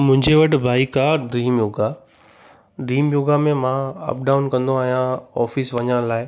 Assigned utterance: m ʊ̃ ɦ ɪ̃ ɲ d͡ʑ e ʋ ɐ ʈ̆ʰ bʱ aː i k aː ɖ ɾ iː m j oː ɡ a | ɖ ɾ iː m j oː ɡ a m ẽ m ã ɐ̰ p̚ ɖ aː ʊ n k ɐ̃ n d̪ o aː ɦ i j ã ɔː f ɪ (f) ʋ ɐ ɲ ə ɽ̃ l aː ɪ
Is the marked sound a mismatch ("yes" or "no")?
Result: yes